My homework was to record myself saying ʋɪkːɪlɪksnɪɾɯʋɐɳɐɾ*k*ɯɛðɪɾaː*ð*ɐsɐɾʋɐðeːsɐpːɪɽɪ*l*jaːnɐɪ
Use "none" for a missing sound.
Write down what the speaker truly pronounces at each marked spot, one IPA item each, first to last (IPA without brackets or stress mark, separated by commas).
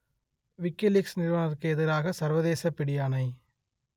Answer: k, ɣ, none